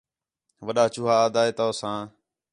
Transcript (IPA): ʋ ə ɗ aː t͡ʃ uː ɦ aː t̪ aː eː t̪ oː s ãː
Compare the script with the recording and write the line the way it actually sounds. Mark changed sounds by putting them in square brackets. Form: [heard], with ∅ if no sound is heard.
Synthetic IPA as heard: ʋ ə ɗ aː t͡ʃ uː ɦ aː [d̪] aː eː t̪ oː s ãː